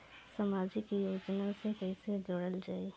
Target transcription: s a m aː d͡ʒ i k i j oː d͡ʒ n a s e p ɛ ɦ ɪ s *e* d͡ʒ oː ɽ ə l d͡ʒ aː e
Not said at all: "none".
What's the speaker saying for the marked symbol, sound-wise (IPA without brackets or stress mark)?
e